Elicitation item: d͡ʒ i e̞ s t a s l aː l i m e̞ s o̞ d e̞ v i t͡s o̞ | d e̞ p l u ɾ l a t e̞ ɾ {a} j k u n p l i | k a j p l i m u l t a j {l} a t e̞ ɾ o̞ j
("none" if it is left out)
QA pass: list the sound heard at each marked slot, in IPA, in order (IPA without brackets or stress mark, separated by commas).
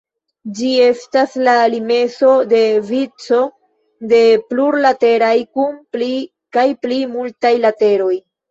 a, l